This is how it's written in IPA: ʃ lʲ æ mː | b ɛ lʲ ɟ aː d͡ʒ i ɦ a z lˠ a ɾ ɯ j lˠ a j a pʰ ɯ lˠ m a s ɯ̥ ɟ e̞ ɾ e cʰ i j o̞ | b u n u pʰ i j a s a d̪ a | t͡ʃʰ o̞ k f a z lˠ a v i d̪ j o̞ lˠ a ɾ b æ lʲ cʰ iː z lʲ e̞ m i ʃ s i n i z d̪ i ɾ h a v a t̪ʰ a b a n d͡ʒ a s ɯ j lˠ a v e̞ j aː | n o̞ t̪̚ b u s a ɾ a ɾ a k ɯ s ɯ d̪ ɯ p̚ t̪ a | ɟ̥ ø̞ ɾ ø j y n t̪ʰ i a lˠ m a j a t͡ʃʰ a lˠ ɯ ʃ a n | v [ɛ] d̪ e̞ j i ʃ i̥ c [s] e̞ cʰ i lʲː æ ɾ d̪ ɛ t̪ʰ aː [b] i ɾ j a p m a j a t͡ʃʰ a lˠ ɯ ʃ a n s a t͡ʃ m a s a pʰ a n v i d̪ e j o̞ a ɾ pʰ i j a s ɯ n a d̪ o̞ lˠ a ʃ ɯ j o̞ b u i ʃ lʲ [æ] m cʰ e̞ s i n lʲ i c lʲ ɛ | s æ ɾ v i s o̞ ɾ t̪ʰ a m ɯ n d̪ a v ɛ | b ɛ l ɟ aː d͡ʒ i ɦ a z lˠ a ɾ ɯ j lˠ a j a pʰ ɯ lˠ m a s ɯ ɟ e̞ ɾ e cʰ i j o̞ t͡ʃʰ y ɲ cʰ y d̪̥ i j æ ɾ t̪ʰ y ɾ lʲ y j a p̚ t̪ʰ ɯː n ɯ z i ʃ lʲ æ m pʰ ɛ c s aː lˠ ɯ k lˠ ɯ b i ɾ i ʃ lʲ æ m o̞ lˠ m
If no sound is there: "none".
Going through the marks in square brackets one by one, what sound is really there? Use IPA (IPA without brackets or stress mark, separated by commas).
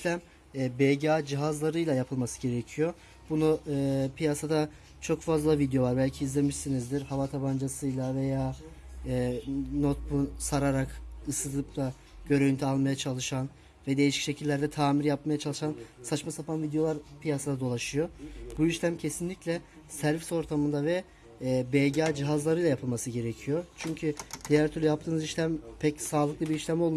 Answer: ɛ, ʃ, m, æ